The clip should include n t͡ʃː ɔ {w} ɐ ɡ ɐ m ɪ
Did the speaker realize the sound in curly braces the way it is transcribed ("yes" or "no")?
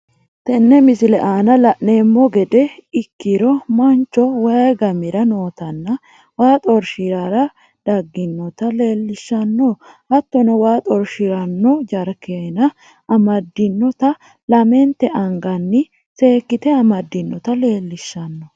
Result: yes